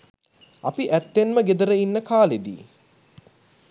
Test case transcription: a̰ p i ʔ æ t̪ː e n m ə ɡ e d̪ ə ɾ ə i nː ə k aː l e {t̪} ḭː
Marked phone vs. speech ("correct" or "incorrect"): incorrect